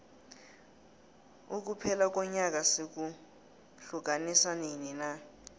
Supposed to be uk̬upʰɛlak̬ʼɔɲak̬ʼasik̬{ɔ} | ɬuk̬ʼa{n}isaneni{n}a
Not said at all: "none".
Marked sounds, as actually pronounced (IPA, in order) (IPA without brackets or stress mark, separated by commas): u, n, n